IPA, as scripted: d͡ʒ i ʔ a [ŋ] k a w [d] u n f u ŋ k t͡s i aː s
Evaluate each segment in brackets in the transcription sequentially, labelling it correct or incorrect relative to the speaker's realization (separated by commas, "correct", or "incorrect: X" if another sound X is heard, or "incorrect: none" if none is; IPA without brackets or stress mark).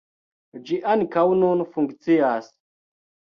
incorrect: n, incorrect: n